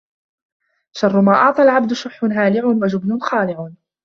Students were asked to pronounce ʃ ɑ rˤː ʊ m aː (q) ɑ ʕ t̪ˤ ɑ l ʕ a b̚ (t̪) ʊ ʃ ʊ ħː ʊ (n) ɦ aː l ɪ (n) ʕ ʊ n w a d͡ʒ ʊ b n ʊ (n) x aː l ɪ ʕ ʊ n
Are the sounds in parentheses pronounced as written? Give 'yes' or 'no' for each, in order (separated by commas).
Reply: no, no, yes, no, yes